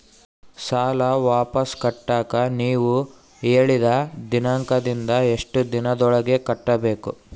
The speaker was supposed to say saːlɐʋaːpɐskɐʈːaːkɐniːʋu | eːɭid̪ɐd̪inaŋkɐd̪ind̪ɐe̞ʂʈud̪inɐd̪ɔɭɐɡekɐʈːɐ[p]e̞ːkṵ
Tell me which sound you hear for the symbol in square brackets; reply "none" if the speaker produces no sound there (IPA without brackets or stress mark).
b